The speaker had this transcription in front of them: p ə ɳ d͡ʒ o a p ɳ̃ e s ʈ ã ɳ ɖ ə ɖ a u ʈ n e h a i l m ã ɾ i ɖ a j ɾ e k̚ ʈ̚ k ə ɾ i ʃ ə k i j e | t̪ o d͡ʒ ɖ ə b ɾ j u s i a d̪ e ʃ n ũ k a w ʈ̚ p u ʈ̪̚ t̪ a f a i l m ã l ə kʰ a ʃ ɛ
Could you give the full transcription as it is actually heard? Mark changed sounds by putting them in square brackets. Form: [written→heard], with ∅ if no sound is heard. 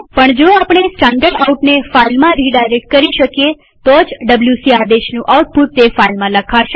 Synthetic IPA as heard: p ə ɳ d͡ʒ o a p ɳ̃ e s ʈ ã ɳ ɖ ə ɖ a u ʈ n e [h→f] a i l m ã ɾ i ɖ a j ɾ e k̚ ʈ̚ k ə ɾ i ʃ ə k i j e | t̪ o d͡ʒ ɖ ə b [ɾ→l] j u s i a d̪ e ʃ n ũ [k→ʔ] a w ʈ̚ p u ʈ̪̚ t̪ [a→e] f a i l m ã l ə kʰ a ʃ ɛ